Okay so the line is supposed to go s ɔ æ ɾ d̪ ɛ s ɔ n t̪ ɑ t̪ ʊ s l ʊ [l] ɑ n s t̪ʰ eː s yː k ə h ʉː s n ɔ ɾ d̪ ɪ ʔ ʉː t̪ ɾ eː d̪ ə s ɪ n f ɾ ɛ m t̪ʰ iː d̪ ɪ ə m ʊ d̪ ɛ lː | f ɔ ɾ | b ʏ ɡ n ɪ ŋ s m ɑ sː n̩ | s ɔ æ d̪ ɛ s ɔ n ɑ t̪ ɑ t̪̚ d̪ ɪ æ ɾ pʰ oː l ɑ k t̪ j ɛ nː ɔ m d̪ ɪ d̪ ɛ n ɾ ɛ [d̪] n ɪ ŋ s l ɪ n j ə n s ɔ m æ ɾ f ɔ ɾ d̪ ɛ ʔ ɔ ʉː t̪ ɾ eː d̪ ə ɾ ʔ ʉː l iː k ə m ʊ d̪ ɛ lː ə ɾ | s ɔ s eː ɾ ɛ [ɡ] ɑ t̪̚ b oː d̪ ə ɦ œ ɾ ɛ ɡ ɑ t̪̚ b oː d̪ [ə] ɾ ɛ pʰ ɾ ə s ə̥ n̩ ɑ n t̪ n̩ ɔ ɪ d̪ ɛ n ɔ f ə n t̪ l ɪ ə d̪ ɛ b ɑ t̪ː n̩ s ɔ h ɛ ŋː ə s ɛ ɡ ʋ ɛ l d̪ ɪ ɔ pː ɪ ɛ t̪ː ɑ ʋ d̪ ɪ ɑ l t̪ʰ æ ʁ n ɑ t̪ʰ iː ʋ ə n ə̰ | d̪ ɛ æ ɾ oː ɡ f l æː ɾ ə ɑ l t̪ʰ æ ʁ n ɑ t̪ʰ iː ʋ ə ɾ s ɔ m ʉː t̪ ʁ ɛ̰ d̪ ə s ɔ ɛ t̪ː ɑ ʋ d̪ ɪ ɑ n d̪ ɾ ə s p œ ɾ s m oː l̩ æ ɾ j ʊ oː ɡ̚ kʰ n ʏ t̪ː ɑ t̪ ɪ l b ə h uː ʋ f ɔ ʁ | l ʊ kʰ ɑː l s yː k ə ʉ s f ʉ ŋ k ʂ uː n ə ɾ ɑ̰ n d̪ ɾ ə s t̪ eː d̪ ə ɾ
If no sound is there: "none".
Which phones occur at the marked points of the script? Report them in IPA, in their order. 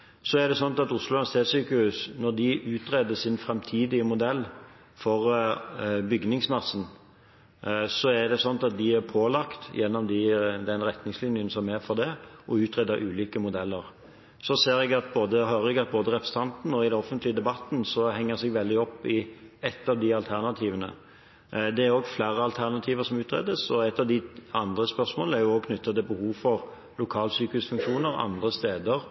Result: l, t̪, ɡ, ə

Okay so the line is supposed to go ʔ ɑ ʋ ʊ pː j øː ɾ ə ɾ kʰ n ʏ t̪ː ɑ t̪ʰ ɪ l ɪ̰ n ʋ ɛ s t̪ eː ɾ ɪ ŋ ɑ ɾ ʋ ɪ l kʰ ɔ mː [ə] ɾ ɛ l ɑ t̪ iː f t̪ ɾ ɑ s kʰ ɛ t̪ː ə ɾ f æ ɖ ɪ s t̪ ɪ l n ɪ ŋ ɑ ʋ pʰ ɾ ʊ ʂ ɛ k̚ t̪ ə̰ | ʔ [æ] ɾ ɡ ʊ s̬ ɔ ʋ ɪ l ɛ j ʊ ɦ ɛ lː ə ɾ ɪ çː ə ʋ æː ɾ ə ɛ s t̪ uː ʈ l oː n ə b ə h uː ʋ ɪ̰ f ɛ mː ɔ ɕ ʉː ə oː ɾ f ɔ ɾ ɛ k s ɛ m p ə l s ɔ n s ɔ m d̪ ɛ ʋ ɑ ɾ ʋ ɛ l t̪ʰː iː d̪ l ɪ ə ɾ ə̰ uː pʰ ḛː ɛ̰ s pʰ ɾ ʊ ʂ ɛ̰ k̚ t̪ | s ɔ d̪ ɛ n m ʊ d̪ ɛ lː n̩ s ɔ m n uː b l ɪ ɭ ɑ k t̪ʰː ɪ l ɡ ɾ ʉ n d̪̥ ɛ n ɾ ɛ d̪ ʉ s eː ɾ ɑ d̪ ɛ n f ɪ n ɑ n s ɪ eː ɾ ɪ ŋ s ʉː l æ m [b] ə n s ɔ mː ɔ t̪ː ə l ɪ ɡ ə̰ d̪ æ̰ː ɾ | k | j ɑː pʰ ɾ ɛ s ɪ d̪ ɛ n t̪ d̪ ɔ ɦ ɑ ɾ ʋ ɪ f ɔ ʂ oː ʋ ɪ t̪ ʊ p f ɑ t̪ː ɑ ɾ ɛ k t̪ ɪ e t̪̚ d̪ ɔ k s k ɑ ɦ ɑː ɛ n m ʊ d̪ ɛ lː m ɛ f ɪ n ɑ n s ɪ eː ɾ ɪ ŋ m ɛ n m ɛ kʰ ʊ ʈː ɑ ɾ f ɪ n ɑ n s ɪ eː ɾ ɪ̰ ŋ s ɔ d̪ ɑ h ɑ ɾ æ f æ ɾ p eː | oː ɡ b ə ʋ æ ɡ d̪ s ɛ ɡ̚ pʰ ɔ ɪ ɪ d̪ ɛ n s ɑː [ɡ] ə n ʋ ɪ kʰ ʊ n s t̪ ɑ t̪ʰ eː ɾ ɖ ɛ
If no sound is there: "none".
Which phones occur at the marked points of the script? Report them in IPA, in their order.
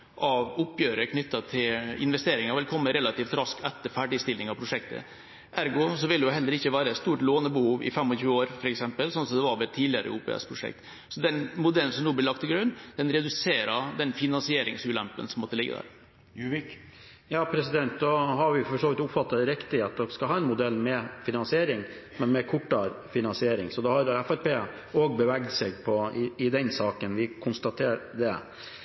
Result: ə, æ, p, k

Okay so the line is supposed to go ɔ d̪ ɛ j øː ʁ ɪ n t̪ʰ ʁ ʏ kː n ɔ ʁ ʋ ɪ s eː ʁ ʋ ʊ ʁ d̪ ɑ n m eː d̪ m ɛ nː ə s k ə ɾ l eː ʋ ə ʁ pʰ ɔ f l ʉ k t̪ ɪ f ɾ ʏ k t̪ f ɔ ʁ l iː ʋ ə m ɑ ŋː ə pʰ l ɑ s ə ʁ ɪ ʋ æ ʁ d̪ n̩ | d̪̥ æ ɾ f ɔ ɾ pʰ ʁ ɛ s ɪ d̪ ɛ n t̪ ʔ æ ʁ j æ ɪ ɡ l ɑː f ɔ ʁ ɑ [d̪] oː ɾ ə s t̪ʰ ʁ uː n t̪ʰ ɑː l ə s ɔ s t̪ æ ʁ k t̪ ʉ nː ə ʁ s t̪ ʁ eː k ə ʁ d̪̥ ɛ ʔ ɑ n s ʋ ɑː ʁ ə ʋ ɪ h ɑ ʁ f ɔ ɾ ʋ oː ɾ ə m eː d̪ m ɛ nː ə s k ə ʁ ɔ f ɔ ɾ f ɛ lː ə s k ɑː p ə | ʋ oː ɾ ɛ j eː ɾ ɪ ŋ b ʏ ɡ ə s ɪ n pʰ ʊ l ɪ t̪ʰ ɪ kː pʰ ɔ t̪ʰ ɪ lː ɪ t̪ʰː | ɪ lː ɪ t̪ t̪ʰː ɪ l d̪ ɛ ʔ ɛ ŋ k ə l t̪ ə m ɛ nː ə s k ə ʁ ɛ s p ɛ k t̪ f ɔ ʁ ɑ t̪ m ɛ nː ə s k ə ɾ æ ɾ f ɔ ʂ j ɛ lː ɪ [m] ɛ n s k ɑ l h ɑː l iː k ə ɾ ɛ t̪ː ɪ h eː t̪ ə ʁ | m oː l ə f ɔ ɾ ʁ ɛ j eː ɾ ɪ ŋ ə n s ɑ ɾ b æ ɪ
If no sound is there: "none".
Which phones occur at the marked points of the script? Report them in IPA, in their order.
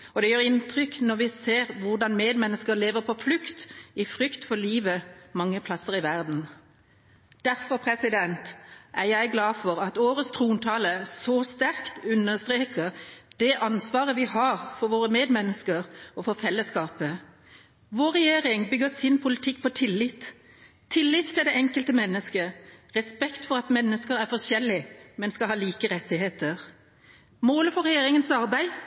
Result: t̪, m

